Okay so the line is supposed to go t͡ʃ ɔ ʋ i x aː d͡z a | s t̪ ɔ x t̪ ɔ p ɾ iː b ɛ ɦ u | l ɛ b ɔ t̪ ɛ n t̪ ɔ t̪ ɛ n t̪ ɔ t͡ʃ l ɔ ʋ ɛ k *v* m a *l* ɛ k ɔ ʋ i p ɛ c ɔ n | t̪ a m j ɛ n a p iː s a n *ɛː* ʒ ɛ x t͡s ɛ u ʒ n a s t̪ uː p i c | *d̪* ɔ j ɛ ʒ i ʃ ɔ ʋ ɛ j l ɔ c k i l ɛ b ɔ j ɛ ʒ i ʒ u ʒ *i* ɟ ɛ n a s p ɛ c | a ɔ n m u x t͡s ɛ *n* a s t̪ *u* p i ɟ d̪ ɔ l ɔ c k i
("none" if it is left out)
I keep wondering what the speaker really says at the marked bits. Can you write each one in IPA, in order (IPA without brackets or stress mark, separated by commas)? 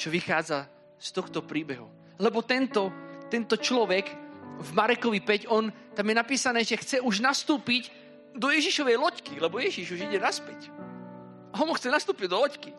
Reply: v, ɾ, ɛː, d̪, i, n, uː